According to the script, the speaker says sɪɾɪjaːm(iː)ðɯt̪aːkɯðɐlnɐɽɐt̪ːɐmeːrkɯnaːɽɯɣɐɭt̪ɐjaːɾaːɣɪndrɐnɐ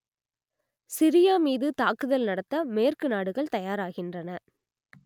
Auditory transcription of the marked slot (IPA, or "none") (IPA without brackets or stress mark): iː